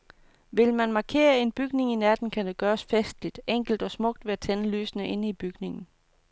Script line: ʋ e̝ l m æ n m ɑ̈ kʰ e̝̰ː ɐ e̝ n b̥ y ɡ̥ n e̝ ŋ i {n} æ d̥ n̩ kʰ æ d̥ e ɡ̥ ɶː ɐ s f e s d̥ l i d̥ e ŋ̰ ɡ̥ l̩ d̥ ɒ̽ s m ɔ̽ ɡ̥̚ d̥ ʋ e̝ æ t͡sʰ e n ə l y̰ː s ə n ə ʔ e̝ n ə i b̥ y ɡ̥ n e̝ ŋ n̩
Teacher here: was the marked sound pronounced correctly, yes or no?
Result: yes